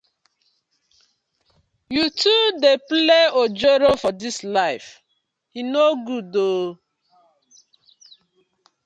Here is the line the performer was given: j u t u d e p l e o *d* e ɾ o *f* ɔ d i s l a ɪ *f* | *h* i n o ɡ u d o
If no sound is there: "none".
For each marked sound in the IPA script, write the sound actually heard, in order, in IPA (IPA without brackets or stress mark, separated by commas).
d͡ʒ, f, f, h